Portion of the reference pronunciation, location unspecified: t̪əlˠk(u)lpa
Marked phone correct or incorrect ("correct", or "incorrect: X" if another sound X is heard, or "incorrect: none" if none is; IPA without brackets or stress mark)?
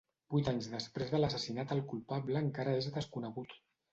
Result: correct